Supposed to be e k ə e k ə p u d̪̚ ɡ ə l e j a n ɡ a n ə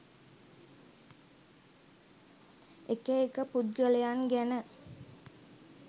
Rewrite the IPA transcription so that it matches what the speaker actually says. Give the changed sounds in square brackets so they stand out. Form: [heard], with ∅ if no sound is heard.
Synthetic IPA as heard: e k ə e k ə p u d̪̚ ɡ ə l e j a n ɡ [æ] n ə